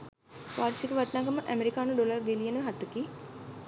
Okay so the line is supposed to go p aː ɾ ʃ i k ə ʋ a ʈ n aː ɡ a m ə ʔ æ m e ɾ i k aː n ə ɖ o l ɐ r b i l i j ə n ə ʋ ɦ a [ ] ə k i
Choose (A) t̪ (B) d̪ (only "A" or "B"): A